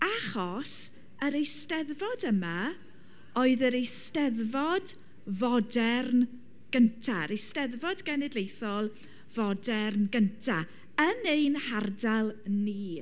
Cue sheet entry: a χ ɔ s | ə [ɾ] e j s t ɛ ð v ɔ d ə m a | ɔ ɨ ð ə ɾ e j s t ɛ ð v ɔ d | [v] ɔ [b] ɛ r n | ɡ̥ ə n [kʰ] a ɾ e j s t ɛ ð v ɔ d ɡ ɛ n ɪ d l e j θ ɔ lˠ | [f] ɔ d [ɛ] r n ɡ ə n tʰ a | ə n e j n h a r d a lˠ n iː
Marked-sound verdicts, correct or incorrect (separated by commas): correct, correct, incorrect, incorrect, incorrect, correct